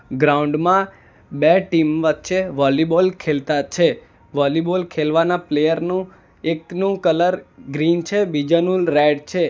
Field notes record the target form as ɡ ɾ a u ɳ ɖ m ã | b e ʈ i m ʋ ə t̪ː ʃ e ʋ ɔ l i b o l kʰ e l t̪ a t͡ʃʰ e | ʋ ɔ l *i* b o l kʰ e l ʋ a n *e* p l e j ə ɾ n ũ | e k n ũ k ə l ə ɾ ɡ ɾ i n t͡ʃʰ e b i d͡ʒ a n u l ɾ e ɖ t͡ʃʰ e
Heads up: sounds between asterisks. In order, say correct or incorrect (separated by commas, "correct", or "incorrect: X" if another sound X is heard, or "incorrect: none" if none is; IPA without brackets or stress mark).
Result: correct, incorrect: a